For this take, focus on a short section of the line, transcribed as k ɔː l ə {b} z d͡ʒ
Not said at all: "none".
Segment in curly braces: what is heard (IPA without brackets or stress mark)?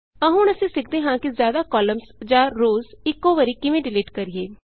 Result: m